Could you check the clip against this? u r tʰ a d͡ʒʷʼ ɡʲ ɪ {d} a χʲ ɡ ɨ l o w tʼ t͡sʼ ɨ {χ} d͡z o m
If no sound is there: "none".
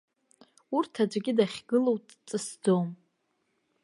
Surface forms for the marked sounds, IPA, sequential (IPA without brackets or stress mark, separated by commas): d, s